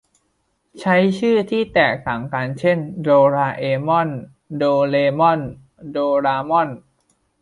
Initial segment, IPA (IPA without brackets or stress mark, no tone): t͡ɕʰ